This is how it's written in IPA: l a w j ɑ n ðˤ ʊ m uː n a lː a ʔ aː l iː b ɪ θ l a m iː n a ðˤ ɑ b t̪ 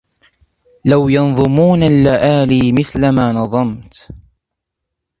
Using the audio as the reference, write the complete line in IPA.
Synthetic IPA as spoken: l a w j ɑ n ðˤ ʊ m uː n a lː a ʔ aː l iː m ɪ θ l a m aː n ɑ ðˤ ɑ m t̪